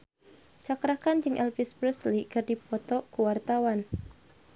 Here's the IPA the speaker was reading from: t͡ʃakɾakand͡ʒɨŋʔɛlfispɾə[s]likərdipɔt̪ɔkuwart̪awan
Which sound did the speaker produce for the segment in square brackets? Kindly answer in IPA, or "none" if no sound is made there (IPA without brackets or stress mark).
s